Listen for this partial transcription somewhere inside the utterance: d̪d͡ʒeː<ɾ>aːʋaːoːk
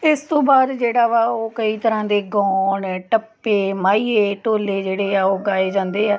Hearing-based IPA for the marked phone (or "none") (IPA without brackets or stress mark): ɽ